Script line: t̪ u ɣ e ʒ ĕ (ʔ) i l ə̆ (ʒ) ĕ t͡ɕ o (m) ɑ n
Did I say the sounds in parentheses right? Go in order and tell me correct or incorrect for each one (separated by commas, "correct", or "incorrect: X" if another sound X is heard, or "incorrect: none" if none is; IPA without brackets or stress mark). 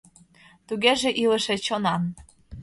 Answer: correct, incorrect: ʃ, incorrect: n